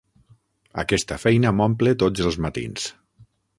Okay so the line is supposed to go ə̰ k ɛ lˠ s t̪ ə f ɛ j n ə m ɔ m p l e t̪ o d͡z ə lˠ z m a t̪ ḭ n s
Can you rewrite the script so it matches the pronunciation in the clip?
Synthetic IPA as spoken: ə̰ k ɛ s t̪ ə f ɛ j n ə m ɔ m p l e t̪ o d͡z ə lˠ z m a t̪ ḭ n s

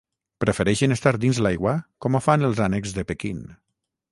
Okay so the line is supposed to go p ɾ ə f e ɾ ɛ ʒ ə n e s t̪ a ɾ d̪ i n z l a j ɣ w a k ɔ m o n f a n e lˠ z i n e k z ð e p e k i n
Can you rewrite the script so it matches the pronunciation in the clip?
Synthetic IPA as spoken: p ɾ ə f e ɾ ɛ ʃ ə n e s t̪ a ɾ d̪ i n z l a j ɣ w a k ɔ m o f a n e lˠ z a n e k z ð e p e k i n

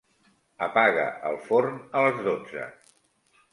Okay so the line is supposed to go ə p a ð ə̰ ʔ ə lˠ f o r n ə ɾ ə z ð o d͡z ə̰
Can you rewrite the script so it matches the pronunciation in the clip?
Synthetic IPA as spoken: ə p a ɣ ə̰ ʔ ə lˠ f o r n ə l ə z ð o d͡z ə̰

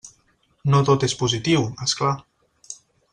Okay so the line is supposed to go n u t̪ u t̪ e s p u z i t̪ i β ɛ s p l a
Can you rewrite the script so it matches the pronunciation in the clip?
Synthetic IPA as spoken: n o t̪ o t̪ e s p u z i t̪ i w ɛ s k l a

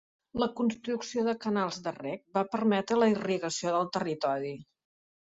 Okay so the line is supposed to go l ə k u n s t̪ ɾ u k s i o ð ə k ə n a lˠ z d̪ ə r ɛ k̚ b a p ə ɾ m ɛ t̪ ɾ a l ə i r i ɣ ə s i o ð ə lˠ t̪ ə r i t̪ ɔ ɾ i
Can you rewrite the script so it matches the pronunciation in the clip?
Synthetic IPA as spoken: l ə k u n s t̪ ɾ u k s i o ð ə k ə n a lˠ z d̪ ə r ɛ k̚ b a p ə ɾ m ɛ t̪ ɾ ə l ə i r i ɣ ə s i o ð ə lˠ t̪ ə r i t̪ ɔ ɾ i

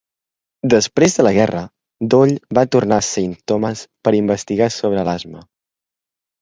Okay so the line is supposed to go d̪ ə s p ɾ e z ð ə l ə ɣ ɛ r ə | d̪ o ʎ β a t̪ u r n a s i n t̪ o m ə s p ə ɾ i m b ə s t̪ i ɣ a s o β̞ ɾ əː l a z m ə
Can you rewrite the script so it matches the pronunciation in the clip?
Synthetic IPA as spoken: d̪ ə s p ɾ e z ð ə l ə ɣ ɛ r ə | d̪ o ʎ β a t̪ u r n a s i n t̪ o m ə s p ə ɾ i m b ə s t̪ i ɣ a s o β̞ ɾ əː l a z m ə

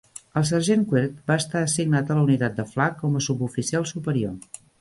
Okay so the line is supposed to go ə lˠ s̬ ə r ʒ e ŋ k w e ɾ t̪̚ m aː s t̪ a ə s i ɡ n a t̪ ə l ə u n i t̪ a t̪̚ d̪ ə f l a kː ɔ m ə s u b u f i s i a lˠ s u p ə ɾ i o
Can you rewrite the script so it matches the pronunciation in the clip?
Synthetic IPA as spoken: ə lˠ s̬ ə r ʒ e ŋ k w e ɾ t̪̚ b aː s t̪ a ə s i ɡ n a t̪ ə l ə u n i t̪ a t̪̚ d̪ ə f l a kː ɔ m ə s u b u f i s i a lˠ s u p ə ɾ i o

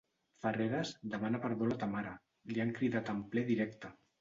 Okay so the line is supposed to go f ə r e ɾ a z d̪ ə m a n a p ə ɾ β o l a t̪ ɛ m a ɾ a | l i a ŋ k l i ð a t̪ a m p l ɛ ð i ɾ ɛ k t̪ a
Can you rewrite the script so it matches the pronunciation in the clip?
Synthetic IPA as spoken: f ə r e ɾ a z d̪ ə m a n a p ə ɾ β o l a t̪ a m a ɾ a | l i a ŋ k ɾ i ð a t̪ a m p l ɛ ð i ɾ ɛ k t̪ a

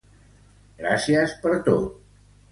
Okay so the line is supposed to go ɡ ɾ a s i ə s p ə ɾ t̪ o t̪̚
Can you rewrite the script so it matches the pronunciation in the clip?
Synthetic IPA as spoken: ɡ ɾ a s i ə s p ə ɾ t̪ o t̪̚

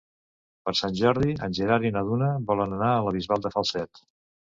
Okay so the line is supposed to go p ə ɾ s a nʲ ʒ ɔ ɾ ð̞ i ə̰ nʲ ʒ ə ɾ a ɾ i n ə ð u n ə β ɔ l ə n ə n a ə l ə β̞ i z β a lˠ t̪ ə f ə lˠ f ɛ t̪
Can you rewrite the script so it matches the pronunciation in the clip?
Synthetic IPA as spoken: p ə ɾ s a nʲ ʒ ɔ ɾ ð̞ i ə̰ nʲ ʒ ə ɾ a ɾ i n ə ð u n ə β ɔ l ə n ə n a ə l ə β̞ i z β a lˠ d̪ ə f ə lˠ s ɛ t̪

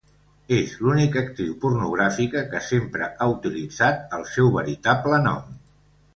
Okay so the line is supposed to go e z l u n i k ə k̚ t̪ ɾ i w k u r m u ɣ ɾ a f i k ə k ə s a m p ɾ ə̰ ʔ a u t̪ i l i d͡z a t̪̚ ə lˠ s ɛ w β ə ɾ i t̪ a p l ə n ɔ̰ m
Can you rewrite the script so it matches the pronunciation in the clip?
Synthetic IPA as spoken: e z l u n i k ə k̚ t̪ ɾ i w p u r n u ɣ ɾ a f i k ə k ə s e m p ɾ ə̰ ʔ a u t̪ i l i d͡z a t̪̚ ə lˠ s ɛ w β ə ɾ i t̪ a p l ə n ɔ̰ m

